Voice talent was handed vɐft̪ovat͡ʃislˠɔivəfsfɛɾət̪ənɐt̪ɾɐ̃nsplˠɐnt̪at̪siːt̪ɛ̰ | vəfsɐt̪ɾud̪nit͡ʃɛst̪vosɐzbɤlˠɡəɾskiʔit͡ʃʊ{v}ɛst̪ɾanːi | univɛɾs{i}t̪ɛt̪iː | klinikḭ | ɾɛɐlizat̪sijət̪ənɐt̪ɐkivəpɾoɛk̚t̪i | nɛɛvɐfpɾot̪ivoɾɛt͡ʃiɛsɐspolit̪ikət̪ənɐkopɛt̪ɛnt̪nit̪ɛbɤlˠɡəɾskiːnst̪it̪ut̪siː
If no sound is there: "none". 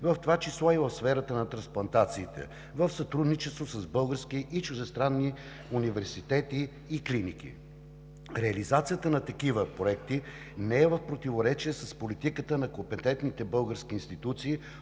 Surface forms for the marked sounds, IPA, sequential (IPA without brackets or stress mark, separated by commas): ʒ, i